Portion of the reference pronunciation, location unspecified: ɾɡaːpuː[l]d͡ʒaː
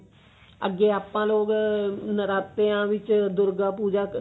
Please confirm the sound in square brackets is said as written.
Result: no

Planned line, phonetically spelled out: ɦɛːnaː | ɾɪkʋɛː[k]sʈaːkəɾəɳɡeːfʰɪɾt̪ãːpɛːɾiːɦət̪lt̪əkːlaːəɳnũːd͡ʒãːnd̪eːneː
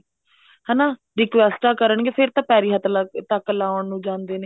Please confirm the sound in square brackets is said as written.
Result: no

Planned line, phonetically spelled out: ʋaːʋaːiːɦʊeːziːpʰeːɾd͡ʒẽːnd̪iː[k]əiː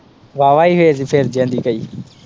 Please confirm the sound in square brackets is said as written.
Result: yes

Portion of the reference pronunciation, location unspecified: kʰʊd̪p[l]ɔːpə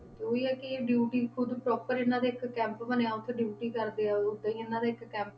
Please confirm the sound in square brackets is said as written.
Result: no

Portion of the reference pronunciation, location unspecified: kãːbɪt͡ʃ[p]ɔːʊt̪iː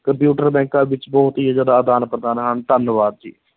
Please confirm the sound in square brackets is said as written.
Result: no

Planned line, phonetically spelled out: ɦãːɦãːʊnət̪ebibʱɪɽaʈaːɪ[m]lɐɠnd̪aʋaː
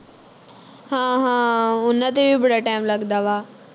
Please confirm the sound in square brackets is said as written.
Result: yes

